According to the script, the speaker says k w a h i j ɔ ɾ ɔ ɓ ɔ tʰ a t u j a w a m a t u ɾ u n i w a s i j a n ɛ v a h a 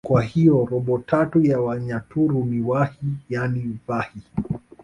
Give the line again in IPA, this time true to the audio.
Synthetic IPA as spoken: k w a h i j ɔ ɾ ɔ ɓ ɔ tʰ a t u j a w a ɲ a t u ɾ u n i w a h i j a n i v a h i